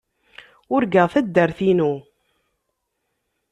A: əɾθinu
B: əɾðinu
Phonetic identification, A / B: A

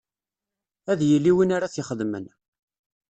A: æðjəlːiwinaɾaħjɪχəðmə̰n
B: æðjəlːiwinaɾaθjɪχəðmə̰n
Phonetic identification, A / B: B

